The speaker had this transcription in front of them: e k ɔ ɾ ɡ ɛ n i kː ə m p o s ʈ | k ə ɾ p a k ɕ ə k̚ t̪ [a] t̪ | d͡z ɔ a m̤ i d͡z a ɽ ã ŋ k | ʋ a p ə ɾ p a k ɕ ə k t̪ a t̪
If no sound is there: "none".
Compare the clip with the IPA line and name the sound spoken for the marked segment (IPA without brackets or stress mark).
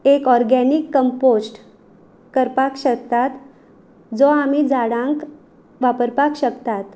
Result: a